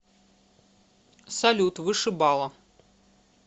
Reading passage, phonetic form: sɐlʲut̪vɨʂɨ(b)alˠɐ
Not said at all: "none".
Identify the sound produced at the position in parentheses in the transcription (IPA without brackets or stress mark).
b